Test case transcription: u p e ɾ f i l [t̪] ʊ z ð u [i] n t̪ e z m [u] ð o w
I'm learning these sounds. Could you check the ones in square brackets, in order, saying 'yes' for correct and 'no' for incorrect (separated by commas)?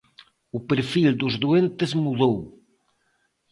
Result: no, no, yes